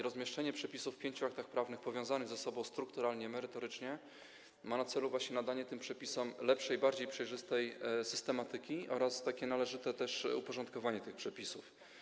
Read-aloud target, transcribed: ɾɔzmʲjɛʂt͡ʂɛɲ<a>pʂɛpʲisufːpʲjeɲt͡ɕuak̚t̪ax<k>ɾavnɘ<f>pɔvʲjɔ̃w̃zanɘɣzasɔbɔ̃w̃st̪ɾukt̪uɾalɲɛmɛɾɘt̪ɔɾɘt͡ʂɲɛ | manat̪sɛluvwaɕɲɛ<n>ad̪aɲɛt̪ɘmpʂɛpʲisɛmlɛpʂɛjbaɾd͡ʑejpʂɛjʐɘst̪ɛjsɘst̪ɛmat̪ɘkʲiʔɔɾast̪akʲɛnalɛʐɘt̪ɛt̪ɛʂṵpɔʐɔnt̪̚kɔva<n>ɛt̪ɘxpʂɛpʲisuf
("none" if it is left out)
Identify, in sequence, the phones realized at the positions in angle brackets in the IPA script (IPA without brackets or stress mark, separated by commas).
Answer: ɛ, p, x, n, ɲ